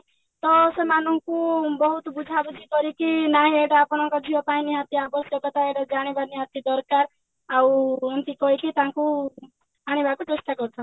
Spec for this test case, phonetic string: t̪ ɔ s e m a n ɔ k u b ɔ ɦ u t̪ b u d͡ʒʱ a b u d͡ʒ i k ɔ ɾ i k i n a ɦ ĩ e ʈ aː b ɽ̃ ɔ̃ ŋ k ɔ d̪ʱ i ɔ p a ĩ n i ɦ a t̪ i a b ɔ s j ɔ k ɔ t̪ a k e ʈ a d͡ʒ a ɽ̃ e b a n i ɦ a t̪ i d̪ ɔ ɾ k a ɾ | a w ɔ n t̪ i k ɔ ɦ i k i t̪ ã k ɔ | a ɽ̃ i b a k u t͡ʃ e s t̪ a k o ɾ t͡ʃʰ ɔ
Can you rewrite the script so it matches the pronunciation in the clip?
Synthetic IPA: t̪ ɔ s e m a n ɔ k u b ɔ ɦ u t̪ b u d͡ʒʱ a b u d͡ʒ i k ɔ ɾ i k i n a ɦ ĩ e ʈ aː p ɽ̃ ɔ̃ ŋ k ɔ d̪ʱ i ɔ p a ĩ n i ɦ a t̪ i a b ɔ s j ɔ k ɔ t̪ a e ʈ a d͡ʒ a ɽ̃ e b a n i ɦ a t̪ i d̪ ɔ ɾ k a ɾ | a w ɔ n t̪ i k ɔ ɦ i k i t̪ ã k u | a ɽ̃ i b a k u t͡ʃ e s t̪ a k ɔ ɾ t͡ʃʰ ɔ

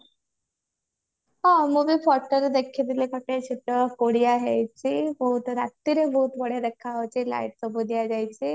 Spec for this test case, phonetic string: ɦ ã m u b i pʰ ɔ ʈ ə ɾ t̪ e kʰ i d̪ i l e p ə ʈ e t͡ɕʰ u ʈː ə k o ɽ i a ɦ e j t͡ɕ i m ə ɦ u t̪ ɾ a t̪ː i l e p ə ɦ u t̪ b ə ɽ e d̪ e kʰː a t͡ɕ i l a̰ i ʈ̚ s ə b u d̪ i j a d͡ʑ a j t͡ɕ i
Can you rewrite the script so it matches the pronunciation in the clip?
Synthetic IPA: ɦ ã m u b i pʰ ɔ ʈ ə ɾ d̪ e kʰ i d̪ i l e k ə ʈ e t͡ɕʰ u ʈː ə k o ɽ i a ɦ e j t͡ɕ i b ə ɦ u t̪ ɾ a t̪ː i ɾ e b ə ɦ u t̪ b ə ɽ e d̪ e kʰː a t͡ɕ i l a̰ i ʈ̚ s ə b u d̪ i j a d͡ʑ a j t͡ɕ i

